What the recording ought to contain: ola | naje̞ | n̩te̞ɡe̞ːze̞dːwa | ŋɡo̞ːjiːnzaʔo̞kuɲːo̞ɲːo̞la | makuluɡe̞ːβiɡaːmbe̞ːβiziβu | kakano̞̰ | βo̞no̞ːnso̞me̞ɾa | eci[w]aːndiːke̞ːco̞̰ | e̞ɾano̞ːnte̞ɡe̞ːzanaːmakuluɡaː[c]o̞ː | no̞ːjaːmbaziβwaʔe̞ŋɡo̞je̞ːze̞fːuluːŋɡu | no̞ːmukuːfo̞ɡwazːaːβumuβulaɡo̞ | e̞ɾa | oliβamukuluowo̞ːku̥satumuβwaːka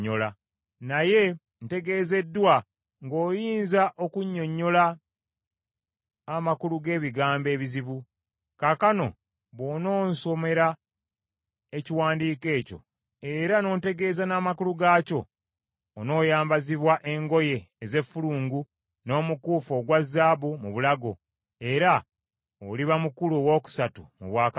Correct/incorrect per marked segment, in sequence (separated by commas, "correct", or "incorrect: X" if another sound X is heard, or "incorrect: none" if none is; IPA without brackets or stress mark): correct, correct